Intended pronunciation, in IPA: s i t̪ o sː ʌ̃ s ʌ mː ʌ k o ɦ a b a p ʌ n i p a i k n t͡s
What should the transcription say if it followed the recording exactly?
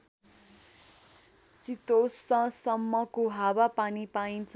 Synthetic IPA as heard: s i t̪ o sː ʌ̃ s ʌ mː ʌ k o ɦ a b a p a n i p a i n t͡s